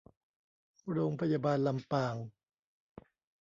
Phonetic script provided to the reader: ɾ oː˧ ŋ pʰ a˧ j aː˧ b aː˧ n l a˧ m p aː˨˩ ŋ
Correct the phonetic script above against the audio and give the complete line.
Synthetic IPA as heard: ɾ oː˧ ŋ pʰ a˧ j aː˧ b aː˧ n l a˧ m p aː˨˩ ŋ